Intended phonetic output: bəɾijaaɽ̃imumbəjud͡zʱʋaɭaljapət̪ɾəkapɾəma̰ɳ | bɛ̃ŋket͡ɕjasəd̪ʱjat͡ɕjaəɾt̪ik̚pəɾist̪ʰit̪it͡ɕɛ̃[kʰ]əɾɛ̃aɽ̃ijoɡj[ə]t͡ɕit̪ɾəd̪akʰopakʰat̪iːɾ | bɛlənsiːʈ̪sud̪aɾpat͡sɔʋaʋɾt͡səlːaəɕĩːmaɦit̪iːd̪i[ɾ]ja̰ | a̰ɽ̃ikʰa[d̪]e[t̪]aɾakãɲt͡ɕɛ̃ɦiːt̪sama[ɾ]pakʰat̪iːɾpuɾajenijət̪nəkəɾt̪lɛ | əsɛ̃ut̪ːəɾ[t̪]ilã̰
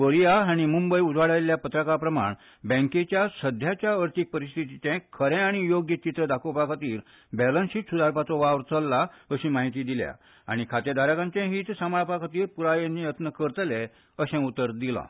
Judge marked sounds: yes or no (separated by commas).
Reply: yes, yes, no, no, no, no, no